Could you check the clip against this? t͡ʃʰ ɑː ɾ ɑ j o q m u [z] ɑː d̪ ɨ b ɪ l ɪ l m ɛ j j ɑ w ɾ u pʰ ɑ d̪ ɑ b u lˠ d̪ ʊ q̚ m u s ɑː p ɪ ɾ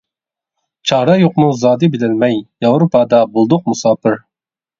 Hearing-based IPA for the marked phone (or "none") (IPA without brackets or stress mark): z